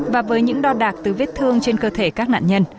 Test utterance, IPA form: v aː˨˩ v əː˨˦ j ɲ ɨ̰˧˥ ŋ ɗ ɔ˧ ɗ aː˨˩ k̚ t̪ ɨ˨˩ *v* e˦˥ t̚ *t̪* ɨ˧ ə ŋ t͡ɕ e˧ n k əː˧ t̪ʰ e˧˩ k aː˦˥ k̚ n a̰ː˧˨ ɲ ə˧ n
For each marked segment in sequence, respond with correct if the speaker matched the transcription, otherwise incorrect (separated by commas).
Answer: correct, incorrect